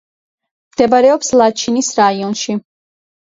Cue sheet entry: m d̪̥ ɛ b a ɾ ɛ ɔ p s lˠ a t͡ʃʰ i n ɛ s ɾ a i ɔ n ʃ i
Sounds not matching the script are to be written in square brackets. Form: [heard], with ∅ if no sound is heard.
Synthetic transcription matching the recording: m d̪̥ ɛ b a ɾ ɛ ɔ p s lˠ a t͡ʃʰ i n [i] s ɾ a i ɔ n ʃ i